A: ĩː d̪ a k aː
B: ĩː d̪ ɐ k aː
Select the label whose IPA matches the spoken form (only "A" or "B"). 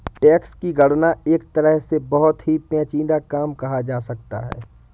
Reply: A